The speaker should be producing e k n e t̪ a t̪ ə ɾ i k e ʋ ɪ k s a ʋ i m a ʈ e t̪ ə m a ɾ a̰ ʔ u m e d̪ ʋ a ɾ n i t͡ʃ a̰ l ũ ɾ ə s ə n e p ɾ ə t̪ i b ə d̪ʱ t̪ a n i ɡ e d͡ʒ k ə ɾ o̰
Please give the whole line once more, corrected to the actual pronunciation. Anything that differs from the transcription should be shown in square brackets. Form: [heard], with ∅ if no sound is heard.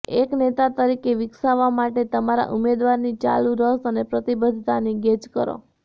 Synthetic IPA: e k n e t̪ a t̪ ə ɾ i k e ʋ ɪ k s a ʋ [a] m a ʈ e t̪ ə m a ɾ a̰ ʔ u m e d̪ ʋ a ɾ n i t͡ʃ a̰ l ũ ɾ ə s ə n e p ɾ ə t̪ i b ə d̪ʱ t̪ a n i ɡ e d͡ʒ k ə ɾ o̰